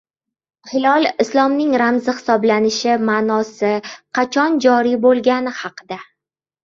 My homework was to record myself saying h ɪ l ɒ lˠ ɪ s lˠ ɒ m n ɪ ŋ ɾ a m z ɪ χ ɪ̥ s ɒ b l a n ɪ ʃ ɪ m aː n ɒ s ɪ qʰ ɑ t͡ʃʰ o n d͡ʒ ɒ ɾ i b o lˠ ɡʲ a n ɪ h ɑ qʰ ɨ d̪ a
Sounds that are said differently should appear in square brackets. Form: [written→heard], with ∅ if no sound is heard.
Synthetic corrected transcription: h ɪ l ɒ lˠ ɪ s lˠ ɒ m n ɪ ŋ ɾ a m z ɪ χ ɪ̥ s ɒ b l a n ɪ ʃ ɪ m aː n ɒ s ɪ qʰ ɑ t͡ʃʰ [o→ɒ] n d͡ʒ ɒ ɾ i b o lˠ ɡʲ a n ɪ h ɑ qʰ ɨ d̪ a